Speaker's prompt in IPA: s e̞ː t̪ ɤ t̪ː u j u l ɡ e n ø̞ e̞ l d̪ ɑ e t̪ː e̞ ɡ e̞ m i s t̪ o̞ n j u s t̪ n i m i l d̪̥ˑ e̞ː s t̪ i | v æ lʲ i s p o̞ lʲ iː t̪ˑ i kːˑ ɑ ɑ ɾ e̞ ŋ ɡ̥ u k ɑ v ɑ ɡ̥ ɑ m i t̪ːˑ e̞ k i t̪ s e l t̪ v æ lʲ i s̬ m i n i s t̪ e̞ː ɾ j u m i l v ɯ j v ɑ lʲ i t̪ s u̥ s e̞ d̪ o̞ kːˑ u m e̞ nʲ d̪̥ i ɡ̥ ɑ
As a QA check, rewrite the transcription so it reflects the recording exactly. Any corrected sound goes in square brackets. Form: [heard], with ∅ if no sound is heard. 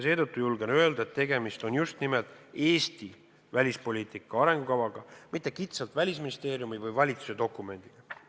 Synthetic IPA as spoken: s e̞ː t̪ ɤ t̪ː u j u l ɡ e n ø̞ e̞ l d̪ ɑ e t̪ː e̞ ɡ e̞ m i s t̪ o̞ n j u s t̪ n i m [e] l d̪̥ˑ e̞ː s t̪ i | v æ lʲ i s p o̞ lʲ iː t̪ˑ i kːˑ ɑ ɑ ɾ e̞ ŋ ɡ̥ u k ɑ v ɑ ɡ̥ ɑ m i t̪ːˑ e̞ k i t̪ s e l t̪ v æ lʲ i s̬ m i n i s t̪ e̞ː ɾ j u m i [∅] v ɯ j v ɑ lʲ i t̪ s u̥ s e̞ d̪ o̞ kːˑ u m e̞ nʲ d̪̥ i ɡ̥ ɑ

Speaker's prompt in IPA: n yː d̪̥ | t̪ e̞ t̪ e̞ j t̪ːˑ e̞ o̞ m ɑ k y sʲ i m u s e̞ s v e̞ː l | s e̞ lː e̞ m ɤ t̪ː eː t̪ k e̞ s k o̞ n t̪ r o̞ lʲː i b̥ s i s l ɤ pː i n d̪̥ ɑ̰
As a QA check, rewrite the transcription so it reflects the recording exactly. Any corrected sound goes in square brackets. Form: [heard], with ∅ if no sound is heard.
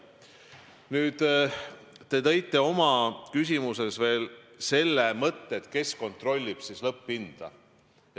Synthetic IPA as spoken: n yː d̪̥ | t̪ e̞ t̪ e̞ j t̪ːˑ e̞ o̞ m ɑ k y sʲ i m u s e̞ s v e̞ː l | s e̞ lː e̞ m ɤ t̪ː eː t̪ k e̞ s k o̞ n t̪ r o̞ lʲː i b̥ s i s l ɤ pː i n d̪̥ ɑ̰

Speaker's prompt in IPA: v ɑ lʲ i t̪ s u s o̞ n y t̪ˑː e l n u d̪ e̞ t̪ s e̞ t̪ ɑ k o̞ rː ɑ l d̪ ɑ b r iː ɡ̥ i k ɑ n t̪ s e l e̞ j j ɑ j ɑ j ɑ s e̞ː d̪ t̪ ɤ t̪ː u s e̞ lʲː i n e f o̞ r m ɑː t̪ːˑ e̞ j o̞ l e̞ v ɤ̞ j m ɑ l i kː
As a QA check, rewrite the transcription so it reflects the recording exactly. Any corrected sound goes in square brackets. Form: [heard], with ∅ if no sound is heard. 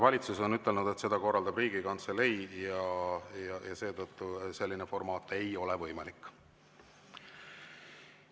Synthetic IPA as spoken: v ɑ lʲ i t̪ s u s o̞ n y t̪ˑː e l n u d̪ e̞ t̪ s e̞ [d̪] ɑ k o̞ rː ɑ l d̪ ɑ b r iː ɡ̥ i k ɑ n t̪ s e l e̞ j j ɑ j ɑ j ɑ s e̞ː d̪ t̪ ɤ t̪ː u s e̞ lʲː i n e f o̞ r m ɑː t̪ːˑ e̞ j o̞ l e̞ v ɤ̞ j m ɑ l i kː

